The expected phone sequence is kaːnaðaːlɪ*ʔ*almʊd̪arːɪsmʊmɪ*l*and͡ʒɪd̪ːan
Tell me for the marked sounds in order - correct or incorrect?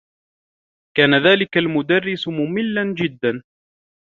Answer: incorrect, incorrect

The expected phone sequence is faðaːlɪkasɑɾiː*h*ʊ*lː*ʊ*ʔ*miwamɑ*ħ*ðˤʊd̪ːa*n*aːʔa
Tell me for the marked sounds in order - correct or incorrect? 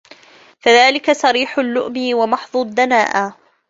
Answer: incorrect, correct, correct, correct, correct

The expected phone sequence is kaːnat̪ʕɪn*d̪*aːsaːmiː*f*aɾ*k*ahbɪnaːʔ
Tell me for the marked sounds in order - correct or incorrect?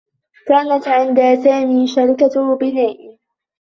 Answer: correct, incorrect, correct

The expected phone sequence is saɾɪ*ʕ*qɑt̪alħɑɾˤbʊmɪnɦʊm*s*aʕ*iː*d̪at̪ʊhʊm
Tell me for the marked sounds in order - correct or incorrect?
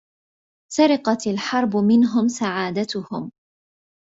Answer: incorrect, correct, incorrect

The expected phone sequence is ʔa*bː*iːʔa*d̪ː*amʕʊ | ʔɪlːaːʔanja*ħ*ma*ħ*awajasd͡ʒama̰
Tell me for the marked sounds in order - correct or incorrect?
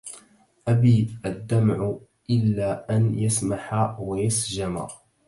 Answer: incorrect, correct, incorrect, correct

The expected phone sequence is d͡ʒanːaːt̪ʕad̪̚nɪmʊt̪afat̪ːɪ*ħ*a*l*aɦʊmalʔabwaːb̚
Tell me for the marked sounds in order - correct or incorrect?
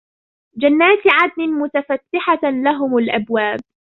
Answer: correct, correct

